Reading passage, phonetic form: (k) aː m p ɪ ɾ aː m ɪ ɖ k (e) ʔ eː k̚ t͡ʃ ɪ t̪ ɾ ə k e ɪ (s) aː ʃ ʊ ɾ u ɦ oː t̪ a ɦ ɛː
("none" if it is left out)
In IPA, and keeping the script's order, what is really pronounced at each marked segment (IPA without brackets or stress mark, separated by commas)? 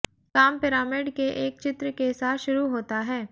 k, e, s